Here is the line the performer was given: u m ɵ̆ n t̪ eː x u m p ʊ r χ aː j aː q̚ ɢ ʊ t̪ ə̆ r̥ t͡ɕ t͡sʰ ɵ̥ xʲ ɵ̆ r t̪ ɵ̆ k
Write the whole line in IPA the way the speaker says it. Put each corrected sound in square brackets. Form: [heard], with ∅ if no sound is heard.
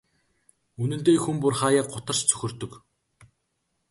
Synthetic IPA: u [n] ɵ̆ n t̪ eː x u m p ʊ r χ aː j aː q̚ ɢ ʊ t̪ ə̆ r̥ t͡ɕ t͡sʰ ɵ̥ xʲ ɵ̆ r t̪ ɵ̆ k